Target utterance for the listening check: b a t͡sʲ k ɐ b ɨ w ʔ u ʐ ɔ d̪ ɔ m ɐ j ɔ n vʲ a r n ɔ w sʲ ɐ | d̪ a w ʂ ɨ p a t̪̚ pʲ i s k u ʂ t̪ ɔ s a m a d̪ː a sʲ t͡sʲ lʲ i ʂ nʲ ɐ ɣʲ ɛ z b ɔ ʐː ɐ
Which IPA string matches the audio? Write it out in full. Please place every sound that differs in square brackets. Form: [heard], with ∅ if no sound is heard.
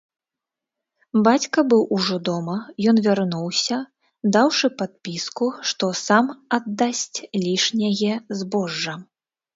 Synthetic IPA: b a t͡sʲ k ɐ b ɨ w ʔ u ʐ ɔ d̪ ɔ m ɐ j ɔ n vʲ a r n [u] w sʲ ɐ | d̪ a w ʂ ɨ p a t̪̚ pʲ i s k u ʂ t̪ ɔ s a m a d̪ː a sʲ t͡sʲ lʲ i ʂ nʲ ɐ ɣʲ ɛ z b ɔ ʐː ɐ